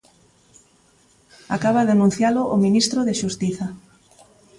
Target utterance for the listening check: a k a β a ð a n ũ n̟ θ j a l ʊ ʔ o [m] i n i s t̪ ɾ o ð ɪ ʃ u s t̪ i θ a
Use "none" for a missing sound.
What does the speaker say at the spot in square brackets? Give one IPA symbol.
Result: m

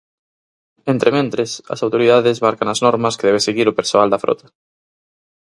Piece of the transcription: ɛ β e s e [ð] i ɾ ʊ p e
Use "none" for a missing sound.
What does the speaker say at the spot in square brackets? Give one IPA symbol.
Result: ɣ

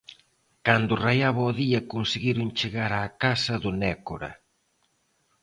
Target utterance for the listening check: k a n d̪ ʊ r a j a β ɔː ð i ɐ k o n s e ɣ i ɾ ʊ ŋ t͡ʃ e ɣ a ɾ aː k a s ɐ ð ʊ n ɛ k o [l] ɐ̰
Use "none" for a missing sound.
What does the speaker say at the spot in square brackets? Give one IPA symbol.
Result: ɾ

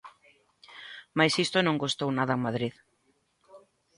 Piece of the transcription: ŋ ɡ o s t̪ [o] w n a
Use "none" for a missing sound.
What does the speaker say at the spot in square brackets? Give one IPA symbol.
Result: o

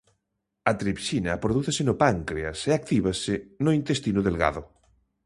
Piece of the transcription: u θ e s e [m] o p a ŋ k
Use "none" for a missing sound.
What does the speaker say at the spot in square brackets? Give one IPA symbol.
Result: n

